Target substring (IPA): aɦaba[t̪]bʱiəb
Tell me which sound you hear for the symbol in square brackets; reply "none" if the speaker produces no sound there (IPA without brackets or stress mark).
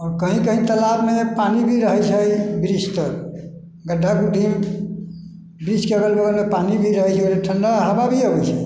none